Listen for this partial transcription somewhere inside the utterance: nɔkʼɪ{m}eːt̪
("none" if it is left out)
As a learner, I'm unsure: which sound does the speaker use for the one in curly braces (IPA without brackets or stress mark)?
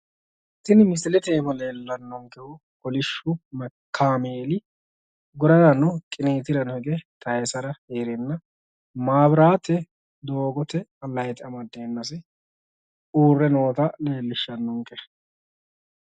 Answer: n